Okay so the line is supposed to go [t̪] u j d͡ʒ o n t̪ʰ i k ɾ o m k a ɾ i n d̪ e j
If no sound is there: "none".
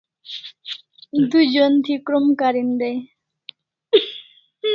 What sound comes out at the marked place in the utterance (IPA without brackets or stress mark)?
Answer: d̪